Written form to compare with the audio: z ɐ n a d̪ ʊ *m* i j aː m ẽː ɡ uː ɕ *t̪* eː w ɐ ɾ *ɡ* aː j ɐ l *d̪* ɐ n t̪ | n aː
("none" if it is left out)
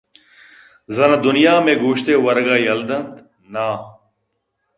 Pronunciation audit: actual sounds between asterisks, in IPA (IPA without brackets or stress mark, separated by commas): n, t̪, ɡ, d̪